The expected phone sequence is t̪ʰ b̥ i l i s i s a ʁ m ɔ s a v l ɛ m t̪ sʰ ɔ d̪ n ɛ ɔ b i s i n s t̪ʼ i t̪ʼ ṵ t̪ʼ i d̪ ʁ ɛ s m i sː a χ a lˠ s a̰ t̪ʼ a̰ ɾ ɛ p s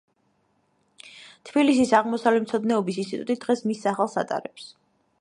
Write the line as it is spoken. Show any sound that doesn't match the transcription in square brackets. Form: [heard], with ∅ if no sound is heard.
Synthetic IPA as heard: t̪ʰ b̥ i l i s i s a ʁ m ɔ s a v l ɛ m t̪ sʰ ɔ d̪ n ɛ ɔ b i s i n s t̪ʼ i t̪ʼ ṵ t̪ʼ i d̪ ʁ ɛ s m i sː a χ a lˠ s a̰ t̪ʼ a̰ ɾ ɛ p s

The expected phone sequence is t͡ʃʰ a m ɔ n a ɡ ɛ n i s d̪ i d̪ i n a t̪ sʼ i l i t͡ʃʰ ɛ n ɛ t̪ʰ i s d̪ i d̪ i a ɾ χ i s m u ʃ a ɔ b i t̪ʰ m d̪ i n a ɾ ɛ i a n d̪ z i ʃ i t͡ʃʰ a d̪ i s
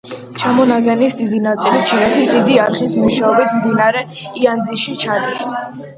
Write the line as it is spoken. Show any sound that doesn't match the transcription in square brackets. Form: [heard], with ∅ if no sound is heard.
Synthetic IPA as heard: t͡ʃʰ a m ɔ n a ɡ ɛ n i s d̪ i d̪ i n a t̪ sʼ i l i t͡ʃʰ [i] n ɛ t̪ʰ i s d̪ i d̪ i a ɾ χ i s m u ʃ a ɔ b i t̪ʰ m d̪ i n a ɾ ɛ i a n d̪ z i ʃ i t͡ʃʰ a d̪ i s

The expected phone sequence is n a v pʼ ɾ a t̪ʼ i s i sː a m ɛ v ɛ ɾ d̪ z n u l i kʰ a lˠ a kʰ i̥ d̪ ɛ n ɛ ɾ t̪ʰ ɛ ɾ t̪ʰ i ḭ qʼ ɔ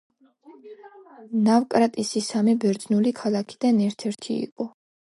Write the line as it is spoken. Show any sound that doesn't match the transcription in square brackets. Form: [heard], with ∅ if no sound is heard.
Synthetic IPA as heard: n a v [kʼ] ɾ a t̪ʼ i s i [s] a m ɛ [b] ɛ ɾ d̪ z n u l i kʰ a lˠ a kʰ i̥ d̪ [a] n ɛ ɾ t̪ʰ ɛ ɾ t̪ʰ i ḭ qʼ ɔ

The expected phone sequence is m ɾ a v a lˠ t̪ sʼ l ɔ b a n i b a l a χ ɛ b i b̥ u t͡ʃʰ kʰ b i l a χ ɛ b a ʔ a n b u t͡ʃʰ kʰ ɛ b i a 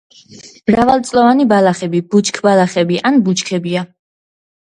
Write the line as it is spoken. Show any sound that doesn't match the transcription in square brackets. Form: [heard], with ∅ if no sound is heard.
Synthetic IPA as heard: m ɾ a v a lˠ t̪ sʼ l ɔ [v] a n i b a l a χ ɛ b i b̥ u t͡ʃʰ kʰ b [a] l a χ ɛ b [i] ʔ a n b u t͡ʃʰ kʰ ɛ b i a

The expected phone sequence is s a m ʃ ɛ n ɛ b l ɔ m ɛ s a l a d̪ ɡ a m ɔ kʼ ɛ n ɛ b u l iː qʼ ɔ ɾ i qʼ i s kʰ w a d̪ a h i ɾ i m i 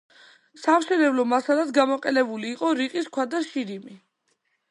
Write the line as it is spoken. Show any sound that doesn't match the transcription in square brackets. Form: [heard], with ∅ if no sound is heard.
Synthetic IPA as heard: s a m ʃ ɛ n ɛ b l ɔ m [a] s a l a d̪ ɡ a m ɔ [qʼ] ɛ n ɛ b u l iː qʼ ɔ ɾ i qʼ i s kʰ w a d̪ a [ʃ] i ɾ i m i

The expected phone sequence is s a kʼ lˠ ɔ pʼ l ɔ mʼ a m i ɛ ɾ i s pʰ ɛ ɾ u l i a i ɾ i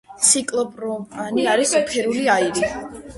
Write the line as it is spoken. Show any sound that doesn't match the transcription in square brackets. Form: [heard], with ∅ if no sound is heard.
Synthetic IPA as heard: s [i] kʼ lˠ ɔ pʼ [ɾ] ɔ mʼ a [n] i [a] ɾ i s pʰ ɛ ɾ u l i a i ɾ i

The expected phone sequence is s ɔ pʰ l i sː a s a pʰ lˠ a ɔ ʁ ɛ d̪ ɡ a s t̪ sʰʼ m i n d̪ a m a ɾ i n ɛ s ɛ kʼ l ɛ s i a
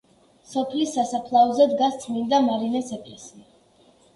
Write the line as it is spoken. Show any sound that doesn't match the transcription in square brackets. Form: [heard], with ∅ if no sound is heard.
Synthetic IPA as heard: s ɔ pʰ l i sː a s a pʰ lˠ a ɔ [z] ɛ d̪ ɡ a s t̪ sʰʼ m i n d̪ a m a ɾ i n ɛ s ɛ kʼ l ɛ s i a

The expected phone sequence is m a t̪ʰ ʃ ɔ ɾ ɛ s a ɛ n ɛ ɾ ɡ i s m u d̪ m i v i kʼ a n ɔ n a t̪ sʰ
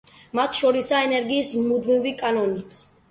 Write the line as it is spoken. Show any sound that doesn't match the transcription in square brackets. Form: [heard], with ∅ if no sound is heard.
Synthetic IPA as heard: m a t̪ʰ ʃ ɔ ɾ [i] s a ɛ n ɛ ɾ ɡ [iː] s m u d̪ m i v i kʼ a n ɔ n [i] t̪ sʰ

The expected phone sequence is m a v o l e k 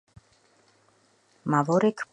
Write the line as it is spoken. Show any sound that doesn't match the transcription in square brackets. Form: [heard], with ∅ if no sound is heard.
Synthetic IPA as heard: m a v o [ɾ] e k

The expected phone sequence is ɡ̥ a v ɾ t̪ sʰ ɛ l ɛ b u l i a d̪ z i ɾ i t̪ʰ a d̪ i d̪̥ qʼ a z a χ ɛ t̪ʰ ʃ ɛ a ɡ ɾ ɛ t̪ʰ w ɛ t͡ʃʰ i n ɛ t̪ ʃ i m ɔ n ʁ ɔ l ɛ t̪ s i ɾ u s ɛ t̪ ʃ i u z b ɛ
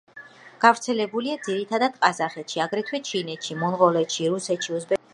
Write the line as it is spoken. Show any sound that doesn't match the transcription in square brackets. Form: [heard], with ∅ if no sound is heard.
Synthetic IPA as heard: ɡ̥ a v ɾ t̪ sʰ ɛ l ɛ b u l i a d̪ z i ɾ i t̪ʰ a d̪ [a] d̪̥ qʼ a z a χ ɛ [t̪] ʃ [i] a ɡ ɾ ɛ t̪ʰ w ɛ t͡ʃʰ i n ɛ t̪ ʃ i m ɔ n ʁ ɔ l ɛ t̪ [ʃ] i ɾ u s ɛ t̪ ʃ i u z b ɛ

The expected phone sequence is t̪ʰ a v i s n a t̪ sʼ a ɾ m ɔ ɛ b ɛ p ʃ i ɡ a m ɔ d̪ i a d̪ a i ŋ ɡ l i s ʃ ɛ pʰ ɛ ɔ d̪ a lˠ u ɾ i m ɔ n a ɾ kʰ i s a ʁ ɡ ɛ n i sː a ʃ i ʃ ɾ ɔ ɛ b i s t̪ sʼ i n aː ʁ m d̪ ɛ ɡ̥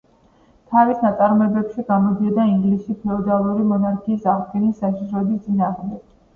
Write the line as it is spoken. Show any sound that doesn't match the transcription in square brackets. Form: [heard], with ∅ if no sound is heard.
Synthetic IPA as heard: t̪ʰ a v i s n a t̪ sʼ a ɾ m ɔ ɛ b ɛ p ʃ i ɡ a m ɔ d̪ i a d̪ a i ŋ ɡ l i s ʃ [i] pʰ ɛ ɔ d̪ a lˠ u ɾ i m ɔ n a ɾ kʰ [iː] s a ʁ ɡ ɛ n i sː a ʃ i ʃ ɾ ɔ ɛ b i s t̪ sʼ i n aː ʁ m d̪ ɛ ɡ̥

